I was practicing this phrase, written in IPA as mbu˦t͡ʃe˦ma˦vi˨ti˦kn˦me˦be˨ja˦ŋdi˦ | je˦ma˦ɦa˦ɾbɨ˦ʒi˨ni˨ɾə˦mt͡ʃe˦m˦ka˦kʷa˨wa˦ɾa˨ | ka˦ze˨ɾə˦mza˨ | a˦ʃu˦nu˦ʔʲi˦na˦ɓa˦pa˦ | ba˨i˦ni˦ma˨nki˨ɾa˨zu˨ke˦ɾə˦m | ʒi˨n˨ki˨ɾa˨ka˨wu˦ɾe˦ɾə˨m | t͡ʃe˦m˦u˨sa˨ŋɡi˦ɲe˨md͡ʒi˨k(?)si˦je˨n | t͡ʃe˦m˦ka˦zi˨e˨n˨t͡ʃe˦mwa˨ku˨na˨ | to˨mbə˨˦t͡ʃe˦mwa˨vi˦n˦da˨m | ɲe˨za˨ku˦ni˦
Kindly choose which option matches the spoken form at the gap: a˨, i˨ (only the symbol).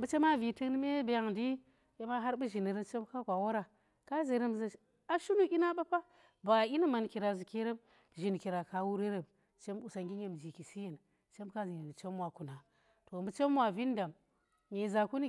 i˨